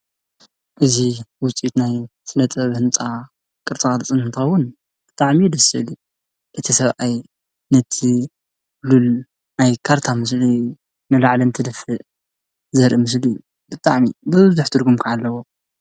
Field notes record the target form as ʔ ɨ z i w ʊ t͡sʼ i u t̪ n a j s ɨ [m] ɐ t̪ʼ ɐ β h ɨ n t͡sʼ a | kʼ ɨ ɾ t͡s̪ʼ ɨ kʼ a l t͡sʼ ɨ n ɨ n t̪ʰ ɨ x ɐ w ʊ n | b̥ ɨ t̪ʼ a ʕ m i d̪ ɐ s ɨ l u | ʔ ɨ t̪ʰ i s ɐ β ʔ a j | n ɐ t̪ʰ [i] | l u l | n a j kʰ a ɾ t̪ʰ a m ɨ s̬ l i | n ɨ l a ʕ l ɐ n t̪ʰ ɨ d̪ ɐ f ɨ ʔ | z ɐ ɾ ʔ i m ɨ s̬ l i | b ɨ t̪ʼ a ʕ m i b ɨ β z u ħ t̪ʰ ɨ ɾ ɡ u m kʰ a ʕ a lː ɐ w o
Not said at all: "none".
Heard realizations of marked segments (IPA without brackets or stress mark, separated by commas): n, i